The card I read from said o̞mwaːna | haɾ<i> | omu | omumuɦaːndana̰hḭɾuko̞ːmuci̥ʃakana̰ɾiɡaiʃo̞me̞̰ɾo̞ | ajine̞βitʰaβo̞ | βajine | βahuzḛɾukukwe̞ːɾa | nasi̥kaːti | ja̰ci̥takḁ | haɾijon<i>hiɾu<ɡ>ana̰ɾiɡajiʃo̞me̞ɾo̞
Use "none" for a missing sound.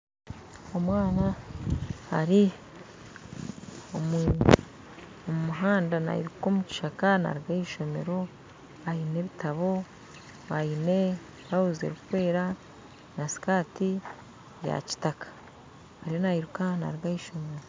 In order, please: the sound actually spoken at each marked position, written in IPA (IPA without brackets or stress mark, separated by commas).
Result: i, a, k